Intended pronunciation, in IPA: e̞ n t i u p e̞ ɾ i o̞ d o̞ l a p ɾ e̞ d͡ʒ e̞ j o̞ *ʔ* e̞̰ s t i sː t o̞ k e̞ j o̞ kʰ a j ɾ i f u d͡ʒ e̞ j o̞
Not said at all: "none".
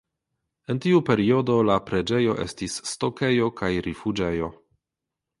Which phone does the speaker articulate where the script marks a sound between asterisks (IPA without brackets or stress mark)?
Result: ʔ